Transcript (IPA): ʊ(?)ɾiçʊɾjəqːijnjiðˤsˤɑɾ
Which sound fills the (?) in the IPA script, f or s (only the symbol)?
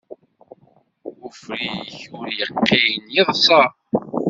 f